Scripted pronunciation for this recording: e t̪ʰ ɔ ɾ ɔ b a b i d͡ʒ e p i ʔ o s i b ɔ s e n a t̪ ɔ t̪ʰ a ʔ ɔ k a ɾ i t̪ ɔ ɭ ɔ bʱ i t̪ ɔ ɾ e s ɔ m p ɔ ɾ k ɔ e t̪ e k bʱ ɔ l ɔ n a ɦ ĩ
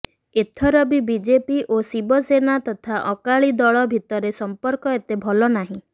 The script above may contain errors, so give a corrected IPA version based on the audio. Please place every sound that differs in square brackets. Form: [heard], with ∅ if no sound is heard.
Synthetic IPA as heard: e t̪ʰ ɔ ɾ ɔ b [i] b i d͡ʒ e p i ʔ o s i b ɔ s e n a t̪ ɔ t̪ʰ a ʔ ɔ k a [ɭ] i [d̪] ɔ ɭ ɔ bʱ i t̪ ɔ ɾ e s ɔ m p ɔ ɾ k ɔ e t̪ e [∅] bʱ ɔ l ɔ n a ɦ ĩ

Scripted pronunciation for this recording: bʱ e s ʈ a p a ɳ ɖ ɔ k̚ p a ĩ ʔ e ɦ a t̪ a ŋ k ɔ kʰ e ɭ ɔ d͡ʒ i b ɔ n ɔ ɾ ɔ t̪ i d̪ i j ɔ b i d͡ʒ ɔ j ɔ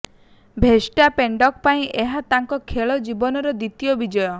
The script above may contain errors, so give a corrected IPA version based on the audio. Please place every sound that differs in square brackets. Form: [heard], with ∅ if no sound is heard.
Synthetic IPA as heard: bʱ e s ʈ a p [e] ɳ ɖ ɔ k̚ p a ĩ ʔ e ɦ a t̪ a ŋ k ɔ kʰ e ɭ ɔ d͡ʒ i b ɔ n ɔ ɾ ɔ [d̪] i [t̪] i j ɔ b i d͡ʒ ɔ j ɔ

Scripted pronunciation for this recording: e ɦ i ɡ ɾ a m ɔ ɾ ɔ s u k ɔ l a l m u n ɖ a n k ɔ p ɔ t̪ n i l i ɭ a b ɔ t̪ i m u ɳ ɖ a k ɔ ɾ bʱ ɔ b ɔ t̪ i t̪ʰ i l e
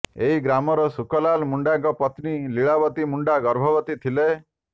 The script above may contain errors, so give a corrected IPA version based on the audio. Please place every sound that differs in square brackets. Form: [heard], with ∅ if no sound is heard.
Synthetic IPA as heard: e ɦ i ɡ ɾ a m ɔ ɾ ɔ s u k ɔ l a l m u [ɳ] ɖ a [ŋ] k ɔ p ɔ t̪ n i l i ɭ a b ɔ t̪ i m u ɳ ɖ a [ɡ] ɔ ɾ bʱ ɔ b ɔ t̪ i t̪ʰ i l e

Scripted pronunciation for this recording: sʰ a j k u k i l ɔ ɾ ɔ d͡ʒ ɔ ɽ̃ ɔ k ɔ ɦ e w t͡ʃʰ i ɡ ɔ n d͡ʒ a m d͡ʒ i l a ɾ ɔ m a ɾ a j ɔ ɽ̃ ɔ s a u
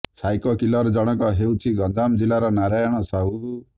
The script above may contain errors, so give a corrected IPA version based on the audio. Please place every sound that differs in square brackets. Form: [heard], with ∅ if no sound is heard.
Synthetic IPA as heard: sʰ a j k [ɔ] k i l ɔ ɾ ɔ d͡ʒ ɔ ɽ̃ ɔ k ɔ ɦ e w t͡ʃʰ i ɡ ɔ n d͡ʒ a m d͡ʒ i l a ɾ ɔ [n] a ɾ a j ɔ ɽ̃ ɔ s a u

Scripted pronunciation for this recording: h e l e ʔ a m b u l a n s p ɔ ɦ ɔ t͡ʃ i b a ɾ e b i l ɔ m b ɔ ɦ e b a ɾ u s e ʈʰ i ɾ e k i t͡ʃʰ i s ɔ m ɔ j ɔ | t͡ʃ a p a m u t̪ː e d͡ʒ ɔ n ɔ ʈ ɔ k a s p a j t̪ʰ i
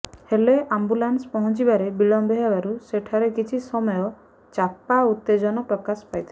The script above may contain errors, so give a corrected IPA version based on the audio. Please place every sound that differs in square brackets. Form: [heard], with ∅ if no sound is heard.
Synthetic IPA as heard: h e l e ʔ a m b u l a n s p ɔ ɦ ɔ t͡ʃ i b a ɾ e b i l ɔ m b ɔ ɦ e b a ɾ u s e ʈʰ [a] ɾ e k i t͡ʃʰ i s ɔ m ɔ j ɔ | t͡ʃ a p a [∅] u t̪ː e d͡ʒ ɔ n ɔ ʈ ɔ k a s p a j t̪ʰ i

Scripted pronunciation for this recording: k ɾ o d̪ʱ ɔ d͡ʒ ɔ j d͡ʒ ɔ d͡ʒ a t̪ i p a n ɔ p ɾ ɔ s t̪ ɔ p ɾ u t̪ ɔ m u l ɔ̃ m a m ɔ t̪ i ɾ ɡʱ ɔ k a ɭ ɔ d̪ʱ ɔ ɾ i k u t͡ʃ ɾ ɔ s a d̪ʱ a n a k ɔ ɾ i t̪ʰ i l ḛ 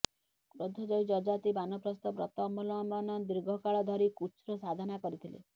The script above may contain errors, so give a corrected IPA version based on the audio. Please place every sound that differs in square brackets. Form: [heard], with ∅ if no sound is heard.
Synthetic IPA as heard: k ɾ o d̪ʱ ɔ d͡ʒ ɔ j d͡ʒ ɔ d͡ʒ a t̪ i [b] a n ɔ p ɾ ɔ s t̪ ɔ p ɾ [ɔ] t̪ ɔ m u l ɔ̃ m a [n] ɔ [d̪] i ɾ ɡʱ ɔ k a ɭ ɔ d̪ʱ ɔ ɾ i k u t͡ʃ ɾ ɔ s a d̪ʱ a n a k ɔ ɾ i t̪ʰ i l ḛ

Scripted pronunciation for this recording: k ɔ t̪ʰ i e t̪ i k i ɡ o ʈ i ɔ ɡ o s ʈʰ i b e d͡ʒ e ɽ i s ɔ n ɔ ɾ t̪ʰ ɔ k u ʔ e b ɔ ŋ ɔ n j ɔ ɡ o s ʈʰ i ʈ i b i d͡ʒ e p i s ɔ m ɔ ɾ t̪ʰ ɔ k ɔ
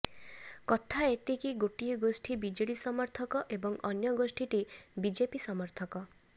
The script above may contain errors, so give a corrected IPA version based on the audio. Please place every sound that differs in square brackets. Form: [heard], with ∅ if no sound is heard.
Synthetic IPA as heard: k ɔ t̪ʰ [a] e t̪ i k i ɡ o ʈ i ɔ ɡ o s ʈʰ i b [i] d͡ʒ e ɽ i s ɔ [m] ɔ ɾ t̪ʰ ɔ k [ɔ] ʔ e b ɔ ŋ ɔ n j ɔ ɡ o s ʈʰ i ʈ i b i d͡ʒ e p i s ɔ m ɔ ɾ t̪ʰ ɔ k ɔ

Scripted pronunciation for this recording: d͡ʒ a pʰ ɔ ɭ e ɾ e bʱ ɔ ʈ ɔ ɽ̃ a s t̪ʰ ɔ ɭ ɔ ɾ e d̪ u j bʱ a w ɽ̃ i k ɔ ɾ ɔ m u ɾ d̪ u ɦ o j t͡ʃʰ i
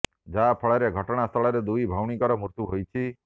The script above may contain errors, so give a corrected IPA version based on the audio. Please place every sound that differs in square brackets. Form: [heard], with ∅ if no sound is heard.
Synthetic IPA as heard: d͡ʒ a pʰ ɔ ɭ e ɾ e [ɡʱ] ɔ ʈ ɔ ɽ̃ a s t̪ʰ ɔ ɭ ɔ ɾ e d̪ u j bʱ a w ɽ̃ i k ɔ ɾ ɔ m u ɾ [t̪] u ɦ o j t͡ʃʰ i

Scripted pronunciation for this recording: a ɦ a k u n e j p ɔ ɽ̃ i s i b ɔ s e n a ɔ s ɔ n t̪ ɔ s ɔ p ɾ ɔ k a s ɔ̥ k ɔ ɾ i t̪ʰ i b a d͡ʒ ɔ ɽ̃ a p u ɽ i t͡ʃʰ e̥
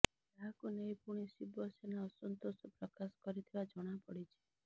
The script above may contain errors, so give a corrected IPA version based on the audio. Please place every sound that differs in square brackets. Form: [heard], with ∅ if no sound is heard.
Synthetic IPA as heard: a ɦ a k u n e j p [u] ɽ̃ i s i b ɔ s e n a ɔ s ɔ n t̪ [o] s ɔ p ɾ ɔ k a s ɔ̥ k ɔ ɾ i t̪ʰ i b a d͡ʒ ɔ ɽ̃ a p [ɔ] ɽ i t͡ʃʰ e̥

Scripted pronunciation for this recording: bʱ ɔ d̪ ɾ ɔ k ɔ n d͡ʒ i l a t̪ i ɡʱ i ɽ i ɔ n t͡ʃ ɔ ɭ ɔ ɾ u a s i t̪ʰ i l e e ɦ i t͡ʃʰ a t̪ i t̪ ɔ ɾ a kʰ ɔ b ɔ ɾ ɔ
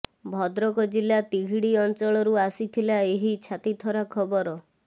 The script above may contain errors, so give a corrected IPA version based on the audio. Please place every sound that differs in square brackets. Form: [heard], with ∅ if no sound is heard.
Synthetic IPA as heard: bʱ ɔ d̪ ɾ ɔ k ɔ [∅] d͡ʒ i l a t̪ i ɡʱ i ɽ i ɔ n t͡ʃ ɔ ɭ ɔ ɾ u a s i t̪ʰ i l [a] e ɦ i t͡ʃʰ a t̪ i [t̪ʰ] ɔ ɾ a kʰ ɔ b ɔ ɾ ɔ

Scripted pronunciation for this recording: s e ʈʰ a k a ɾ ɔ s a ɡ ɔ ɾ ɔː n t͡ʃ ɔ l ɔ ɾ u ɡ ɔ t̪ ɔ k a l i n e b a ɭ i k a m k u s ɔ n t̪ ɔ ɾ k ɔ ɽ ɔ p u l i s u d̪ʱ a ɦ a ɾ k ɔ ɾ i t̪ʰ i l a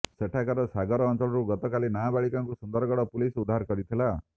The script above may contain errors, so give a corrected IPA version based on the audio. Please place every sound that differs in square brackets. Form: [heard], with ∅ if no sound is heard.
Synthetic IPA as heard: s e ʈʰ a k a ɾ ɔ s a ɡ ɔ ɾ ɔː n t͡ʃ ɔ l ɔ ɾ u ɡ ɔ t̪ ɔ k a l i n [a] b a ɭ i k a [ŋ] k u s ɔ n [d̪] ɔ ɾ [ɡ] ɔ ɽ ɔ p u l i s u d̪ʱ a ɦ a ɾ k ɔ ɾ i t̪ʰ i l a

